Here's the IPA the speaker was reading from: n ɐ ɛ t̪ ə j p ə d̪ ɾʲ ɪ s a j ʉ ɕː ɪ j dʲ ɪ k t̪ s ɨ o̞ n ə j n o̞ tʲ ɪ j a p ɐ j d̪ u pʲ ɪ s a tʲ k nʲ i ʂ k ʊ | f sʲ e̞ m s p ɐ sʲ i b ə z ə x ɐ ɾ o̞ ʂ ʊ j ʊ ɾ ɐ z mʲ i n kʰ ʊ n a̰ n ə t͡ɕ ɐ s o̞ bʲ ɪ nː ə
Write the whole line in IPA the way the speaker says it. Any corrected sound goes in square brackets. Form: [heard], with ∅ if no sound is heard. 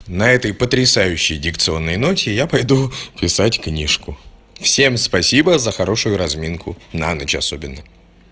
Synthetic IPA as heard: n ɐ ɛ t̪ ə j p ə [t̪] ɾʲ ɪ s a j ʉ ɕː ɪ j dʲ ɪ k t̪ s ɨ o̞ [nː] ə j n o̞ tʲ ɪ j a p ɐ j d̪ u pʲ ɪ s a tʲ k nʲ i ʂ k ʊ | f sʲ e̞ m s p ɐ sʲ i b ə z ə x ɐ ɾ o̞ ʂ ʊ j ʊ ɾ ɐ z mʲ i n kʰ ʊ n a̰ n ə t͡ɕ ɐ s o̞ bʲ ɪ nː ə